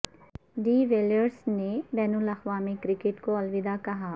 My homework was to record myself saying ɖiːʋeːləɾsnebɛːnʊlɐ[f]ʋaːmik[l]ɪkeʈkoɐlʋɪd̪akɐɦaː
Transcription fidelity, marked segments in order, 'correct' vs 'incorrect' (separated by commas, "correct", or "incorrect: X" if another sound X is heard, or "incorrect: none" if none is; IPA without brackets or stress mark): incorrect: x, incorrect: ɾ